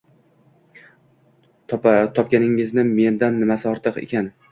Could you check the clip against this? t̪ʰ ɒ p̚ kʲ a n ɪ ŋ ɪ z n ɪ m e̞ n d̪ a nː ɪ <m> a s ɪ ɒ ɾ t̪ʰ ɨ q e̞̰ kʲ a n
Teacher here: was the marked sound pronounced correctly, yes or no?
yes